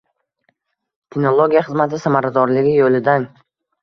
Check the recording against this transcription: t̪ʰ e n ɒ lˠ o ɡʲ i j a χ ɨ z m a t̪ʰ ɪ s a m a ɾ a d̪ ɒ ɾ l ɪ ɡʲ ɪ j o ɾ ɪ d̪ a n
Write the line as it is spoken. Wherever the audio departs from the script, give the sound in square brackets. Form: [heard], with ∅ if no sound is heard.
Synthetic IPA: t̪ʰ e n [o] lˠ o ɡʲ i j a χ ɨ z m a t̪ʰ ɪ s a m a ɾ a d̪ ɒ ɾ l ɪ ɡʲ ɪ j o [l] ɪ d̪ a n